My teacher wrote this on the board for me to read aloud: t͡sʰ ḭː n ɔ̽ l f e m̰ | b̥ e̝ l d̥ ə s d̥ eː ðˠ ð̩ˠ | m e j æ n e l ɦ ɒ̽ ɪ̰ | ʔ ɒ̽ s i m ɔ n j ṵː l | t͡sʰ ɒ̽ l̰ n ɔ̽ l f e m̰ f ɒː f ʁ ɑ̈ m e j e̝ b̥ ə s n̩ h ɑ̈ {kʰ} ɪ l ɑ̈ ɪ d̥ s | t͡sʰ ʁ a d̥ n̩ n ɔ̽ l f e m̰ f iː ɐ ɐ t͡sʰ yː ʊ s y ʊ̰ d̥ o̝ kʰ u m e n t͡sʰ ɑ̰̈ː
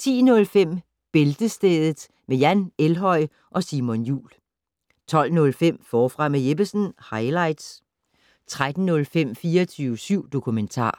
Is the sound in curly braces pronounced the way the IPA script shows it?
no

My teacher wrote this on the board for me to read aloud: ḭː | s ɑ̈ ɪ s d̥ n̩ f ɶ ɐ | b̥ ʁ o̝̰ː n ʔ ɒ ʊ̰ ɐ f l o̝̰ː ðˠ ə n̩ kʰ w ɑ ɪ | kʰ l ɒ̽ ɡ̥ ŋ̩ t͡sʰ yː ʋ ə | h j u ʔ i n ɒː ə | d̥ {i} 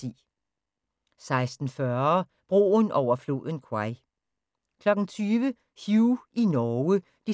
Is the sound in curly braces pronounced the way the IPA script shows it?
yes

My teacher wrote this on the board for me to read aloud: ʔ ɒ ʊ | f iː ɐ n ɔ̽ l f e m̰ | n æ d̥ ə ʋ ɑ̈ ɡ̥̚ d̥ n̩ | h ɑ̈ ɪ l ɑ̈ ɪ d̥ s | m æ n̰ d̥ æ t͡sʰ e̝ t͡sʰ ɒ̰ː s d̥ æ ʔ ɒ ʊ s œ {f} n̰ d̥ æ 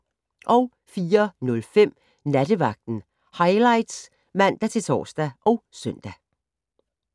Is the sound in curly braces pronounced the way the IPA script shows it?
no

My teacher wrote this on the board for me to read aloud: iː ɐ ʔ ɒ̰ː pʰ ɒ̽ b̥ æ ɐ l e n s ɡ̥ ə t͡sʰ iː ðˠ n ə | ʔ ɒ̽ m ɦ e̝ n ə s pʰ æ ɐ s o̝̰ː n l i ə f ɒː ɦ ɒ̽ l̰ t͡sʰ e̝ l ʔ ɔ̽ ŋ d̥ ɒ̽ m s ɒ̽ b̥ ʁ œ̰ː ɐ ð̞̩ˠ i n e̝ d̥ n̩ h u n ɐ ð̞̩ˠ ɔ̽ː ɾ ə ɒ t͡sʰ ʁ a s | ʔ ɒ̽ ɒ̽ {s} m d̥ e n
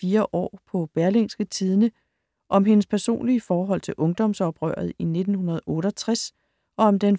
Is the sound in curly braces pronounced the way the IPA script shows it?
no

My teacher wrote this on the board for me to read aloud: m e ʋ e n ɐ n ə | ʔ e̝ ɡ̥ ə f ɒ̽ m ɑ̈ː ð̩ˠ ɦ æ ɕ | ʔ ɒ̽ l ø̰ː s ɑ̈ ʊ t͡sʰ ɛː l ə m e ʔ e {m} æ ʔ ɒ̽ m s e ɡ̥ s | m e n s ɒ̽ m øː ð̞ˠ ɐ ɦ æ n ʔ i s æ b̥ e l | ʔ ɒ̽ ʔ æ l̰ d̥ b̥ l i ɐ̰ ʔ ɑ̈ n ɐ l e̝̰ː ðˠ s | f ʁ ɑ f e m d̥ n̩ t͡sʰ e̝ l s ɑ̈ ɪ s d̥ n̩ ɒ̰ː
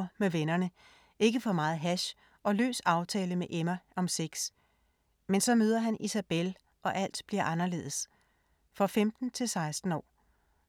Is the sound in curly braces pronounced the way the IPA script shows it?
yes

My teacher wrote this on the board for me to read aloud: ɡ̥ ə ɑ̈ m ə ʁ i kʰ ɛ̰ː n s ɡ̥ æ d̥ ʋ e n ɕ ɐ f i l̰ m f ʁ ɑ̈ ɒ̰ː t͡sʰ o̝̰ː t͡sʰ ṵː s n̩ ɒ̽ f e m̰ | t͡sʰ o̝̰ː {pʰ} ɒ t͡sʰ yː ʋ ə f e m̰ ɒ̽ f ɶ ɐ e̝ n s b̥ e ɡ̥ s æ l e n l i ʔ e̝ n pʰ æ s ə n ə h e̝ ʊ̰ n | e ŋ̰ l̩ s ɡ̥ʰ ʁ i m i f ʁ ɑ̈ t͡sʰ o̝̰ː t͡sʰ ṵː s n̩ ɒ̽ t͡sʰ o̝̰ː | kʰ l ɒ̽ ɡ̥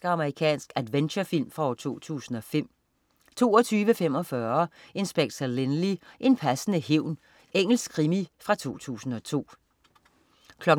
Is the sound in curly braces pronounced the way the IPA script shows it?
no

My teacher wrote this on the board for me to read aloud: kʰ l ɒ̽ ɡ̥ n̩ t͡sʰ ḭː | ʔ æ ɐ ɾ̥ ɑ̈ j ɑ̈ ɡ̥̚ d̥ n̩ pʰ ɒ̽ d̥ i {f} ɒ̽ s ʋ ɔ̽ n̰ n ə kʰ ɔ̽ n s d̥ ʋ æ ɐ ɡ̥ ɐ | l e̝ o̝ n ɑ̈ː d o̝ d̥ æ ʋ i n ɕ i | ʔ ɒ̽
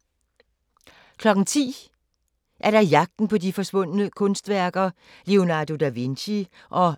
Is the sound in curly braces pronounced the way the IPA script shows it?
yes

